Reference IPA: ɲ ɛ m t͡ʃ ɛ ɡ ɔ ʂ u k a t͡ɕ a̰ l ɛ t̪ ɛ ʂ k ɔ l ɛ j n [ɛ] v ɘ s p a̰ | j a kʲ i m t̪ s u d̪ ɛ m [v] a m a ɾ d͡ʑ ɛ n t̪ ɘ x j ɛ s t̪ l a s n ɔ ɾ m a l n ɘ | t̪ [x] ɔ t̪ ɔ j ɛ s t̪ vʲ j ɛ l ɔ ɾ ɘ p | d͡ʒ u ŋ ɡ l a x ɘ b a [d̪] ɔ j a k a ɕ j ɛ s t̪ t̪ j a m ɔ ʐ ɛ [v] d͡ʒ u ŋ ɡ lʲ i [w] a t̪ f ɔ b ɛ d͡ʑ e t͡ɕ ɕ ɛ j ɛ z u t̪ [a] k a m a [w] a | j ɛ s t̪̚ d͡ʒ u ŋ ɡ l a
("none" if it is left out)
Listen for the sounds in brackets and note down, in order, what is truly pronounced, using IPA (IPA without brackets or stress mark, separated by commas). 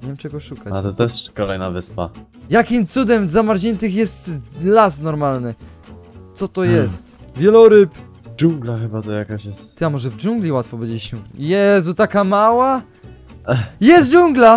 a, z, s, t̪, v, w, a, w